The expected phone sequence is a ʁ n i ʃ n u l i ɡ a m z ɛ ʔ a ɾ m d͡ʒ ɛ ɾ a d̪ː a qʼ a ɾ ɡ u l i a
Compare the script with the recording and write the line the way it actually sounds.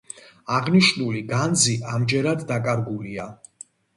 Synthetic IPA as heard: a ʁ n i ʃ n u l i ɡ a n z i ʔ a m d͡ʒ ɛ ɾ a d̪ː a kʼ a ɾ ɡ u l i a